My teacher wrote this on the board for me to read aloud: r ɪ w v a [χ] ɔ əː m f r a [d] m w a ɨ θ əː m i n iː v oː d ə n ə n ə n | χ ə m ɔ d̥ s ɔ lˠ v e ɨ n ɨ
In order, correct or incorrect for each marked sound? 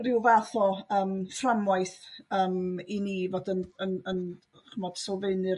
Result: incorrect, incorrect

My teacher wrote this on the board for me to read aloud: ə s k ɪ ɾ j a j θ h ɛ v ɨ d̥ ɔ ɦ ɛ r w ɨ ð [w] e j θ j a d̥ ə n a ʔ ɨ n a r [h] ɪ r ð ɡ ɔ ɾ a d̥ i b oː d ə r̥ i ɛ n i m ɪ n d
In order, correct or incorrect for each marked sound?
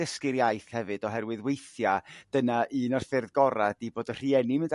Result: correct, incorrect

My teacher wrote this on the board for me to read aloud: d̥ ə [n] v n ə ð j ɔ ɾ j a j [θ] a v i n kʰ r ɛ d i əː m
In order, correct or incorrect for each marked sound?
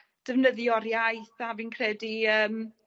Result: incorrect, correct

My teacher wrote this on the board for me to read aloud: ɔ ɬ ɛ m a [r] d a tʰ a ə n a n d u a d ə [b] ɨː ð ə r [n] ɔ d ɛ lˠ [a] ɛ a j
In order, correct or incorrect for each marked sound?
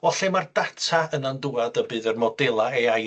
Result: correct, correct, incorrect, correct

